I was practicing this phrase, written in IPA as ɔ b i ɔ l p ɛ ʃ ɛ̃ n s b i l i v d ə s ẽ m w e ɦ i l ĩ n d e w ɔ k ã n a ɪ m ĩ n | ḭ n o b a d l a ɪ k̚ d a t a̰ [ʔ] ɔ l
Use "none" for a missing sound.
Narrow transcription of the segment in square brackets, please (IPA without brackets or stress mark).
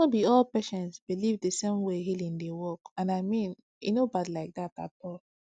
t